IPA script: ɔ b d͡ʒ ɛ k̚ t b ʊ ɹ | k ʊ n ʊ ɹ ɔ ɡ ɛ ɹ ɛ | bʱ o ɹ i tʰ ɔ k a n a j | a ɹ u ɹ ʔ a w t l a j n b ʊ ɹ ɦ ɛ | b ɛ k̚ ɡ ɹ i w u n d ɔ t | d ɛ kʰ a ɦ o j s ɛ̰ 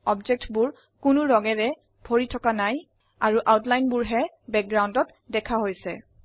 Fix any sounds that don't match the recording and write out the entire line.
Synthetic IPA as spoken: ɔ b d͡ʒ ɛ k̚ t b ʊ ɹ | k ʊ n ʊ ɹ ɔ ɡ ɛ ɹ ɛ | bʱ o ɹ i tʰ ɔ k a n a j | a ɹ u ʔ a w t l a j n b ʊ ɹ ɦ ɛ | b ɛ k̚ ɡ ɹ a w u n d ɔ t | d ɛ kʰ a ɦ o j s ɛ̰